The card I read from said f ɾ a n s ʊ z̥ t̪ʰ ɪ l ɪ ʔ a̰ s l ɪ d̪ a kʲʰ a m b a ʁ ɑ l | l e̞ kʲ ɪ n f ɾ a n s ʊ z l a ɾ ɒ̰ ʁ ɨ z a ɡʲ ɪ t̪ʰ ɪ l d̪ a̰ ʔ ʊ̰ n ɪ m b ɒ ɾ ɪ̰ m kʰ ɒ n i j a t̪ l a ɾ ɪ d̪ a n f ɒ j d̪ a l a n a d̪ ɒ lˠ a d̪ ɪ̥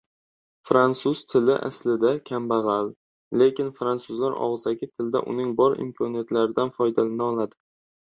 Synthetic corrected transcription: f ɾ a n s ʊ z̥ t̪ʰ ɪ l ɪ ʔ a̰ s l ɪ d̪ a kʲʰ a m b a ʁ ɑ l | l e̞ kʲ ɪ n f ɾ a n s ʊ z l a ɾ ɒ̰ ʁ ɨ z a ɡʲ ɪ t̪ʰ ɪ l d̪ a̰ ʔ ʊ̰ n ɪ ŋ b ɒ ɾ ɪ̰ m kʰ ɒ n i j a t̪ l a ɾ ɪ d̪ a n f ɒ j d̪ a l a n a ɒ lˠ a d̪ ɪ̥

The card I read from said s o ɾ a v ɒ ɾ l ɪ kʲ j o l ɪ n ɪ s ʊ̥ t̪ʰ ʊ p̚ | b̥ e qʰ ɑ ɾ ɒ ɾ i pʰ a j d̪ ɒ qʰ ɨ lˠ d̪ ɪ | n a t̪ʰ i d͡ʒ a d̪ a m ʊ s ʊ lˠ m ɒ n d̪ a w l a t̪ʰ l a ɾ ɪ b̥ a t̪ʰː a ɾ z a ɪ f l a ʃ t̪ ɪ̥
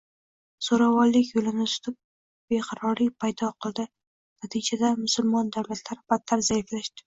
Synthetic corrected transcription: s o ɾ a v ɒ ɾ l ɪ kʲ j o l ɪ n ɪ s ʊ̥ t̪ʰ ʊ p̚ | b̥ e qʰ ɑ ɾ ɒ ɾ i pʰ a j d̪ ɒ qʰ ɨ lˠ d̪ ɪ | n a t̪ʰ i d͡ʒ a d̪ a m ʊ s ʊ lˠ m ɒ n d̪ a w l a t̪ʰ l a ɾ ɪ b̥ a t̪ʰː a ɾ z a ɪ f l a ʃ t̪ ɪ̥

